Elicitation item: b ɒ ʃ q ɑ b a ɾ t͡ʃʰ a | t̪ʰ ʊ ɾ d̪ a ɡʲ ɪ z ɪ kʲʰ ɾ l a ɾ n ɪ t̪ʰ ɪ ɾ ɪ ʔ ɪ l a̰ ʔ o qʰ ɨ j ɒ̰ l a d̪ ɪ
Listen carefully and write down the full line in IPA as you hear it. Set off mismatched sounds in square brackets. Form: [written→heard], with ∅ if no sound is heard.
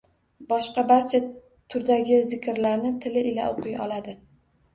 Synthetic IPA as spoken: b ɒ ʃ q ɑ b a ɾ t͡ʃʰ a | t̪ʰ ʊ ɾ d̪ a ɡʲ ɪ z ɪ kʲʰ ɾ l a ɾ n ɪ t̪ʰ ɪ [ɾ→l] ɪ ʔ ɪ l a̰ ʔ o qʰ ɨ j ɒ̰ l a d̪ ɪ